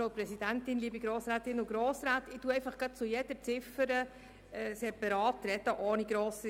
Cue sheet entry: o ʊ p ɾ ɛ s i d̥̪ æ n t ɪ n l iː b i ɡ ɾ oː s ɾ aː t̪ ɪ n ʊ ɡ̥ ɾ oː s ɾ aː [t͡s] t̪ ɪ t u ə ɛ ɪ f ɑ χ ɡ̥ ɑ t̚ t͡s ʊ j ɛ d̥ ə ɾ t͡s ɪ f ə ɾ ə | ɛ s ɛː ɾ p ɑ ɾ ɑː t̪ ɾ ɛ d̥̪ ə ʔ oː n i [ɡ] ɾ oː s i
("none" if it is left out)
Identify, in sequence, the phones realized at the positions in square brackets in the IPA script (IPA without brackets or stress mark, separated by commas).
none, ɡ